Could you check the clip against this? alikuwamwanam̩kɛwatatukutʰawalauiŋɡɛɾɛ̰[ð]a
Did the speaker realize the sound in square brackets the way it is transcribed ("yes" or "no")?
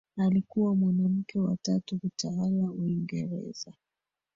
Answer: no